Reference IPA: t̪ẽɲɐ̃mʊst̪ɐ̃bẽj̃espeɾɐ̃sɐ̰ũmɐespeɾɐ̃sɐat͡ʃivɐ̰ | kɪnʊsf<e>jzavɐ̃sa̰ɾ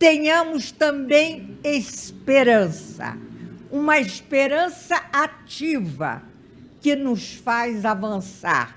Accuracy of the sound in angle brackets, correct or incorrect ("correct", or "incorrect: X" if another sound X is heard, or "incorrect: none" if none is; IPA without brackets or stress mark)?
incorrect: a